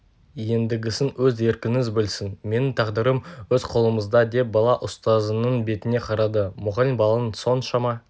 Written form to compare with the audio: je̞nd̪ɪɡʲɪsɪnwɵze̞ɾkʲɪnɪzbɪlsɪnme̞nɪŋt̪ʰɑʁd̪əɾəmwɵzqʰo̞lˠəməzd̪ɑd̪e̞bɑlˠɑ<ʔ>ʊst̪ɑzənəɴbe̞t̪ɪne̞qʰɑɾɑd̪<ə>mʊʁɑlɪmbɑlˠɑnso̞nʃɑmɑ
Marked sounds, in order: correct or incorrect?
correct, correct

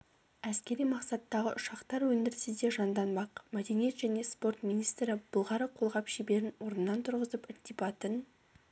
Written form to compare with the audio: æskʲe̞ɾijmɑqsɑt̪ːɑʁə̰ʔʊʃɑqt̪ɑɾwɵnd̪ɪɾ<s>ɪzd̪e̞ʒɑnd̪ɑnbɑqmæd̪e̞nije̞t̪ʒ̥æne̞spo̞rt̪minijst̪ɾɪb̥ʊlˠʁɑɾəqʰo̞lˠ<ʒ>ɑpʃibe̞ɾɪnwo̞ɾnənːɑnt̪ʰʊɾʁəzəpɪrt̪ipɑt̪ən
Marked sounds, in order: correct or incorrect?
correct, incorrect: ʁ

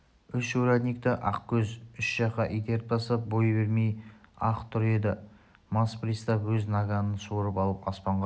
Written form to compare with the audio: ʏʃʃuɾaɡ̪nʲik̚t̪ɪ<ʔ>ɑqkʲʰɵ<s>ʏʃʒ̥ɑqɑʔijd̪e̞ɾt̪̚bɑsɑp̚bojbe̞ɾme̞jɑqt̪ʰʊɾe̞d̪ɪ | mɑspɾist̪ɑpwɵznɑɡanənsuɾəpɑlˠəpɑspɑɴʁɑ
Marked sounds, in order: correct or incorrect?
correct, incorrect: z

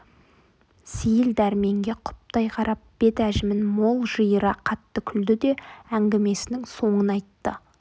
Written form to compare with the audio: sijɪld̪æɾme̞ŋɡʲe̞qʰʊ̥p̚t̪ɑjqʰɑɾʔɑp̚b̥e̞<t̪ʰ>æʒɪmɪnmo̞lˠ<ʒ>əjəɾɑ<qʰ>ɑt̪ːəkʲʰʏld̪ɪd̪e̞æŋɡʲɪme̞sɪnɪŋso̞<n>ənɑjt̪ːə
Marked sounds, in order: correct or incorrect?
incorrect: t̪, correct, correct, incorrect: ɴ

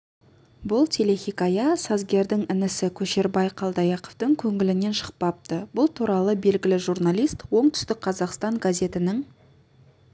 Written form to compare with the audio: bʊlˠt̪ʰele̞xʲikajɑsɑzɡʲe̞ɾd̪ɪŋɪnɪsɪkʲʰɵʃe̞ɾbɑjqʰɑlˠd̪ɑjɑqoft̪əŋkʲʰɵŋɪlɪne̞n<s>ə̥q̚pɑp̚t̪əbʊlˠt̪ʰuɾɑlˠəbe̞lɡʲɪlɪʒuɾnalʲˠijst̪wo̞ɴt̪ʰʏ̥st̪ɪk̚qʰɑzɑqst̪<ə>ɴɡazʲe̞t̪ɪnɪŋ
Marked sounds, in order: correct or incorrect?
incorrect: ʃ, incorrect: ɑ

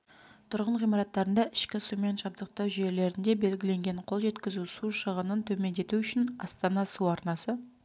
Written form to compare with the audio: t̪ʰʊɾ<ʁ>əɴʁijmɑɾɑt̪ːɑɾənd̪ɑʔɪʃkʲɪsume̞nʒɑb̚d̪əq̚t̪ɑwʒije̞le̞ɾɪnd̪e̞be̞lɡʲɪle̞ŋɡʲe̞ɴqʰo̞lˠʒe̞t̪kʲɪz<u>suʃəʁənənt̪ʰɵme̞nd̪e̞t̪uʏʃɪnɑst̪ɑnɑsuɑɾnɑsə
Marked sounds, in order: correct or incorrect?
correct, correct

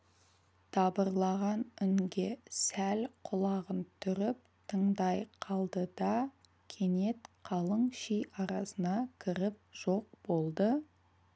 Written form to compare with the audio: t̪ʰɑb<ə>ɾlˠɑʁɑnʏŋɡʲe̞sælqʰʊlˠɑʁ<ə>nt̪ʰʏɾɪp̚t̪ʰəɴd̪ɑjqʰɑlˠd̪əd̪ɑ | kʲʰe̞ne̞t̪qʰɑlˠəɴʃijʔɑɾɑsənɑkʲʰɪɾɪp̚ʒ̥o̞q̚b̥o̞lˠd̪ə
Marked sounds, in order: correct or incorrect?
correct, correct

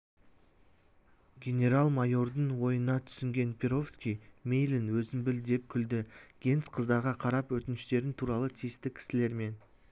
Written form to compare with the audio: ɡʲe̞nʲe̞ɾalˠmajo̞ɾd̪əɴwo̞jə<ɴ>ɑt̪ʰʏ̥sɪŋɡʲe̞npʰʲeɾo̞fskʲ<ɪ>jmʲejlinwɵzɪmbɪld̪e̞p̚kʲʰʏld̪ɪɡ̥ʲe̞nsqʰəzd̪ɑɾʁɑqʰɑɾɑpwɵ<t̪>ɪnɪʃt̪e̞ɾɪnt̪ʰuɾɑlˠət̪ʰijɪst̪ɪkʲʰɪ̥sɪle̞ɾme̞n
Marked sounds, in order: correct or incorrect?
incorrect: n, incorrect: i, correct

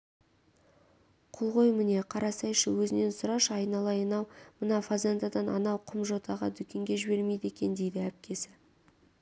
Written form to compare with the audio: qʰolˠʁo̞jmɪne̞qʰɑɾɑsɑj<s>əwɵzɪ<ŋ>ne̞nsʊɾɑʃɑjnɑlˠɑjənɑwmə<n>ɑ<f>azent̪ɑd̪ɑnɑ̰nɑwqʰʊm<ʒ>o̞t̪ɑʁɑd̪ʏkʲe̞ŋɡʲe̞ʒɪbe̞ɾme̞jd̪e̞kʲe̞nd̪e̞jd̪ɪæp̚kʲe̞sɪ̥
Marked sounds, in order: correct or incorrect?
incorrect: ʃ, incorrect: none, correct, correct, correct

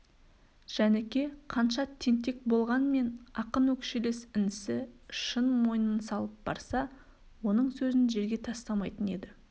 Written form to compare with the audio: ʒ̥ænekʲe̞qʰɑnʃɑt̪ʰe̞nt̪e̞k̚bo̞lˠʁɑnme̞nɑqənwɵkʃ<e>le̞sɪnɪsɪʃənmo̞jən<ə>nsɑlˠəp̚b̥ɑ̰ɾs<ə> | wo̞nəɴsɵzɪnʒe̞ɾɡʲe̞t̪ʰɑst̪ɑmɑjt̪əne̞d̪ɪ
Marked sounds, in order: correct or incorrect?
correct, correct, incorrect: ɑ

